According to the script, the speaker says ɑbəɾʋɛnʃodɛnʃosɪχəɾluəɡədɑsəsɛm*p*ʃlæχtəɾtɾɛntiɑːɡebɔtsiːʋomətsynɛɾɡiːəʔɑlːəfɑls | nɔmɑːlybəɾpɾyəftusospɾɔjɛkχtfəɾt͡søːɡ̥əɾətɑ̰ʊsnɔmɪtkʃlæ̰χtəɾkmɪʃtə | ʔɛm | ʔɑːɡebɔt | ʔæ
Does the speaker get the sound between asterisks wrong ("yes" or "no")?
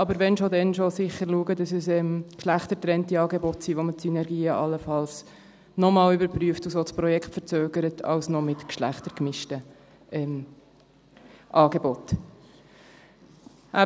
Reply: yes